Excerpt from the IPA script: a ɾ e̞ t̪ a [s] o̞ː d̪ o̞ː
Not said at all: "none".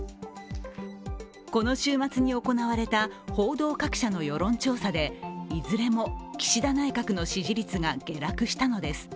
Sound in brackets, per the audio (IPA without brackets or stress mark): h